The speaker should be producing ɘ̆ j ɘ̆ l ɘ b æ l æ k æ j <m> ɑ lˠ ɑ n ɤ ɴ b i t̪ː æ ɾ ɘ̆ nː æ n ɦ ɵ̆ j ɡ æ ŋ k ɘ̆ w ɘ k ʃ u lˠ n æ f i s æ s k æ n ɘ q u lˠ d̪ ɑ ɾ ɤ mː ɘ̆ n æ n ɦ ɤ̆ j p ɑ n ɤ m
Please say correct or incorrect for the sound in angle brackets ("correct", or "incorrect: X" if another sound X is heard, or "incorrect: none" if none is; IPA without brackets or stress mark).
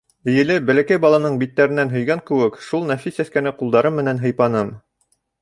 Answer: incorrect: b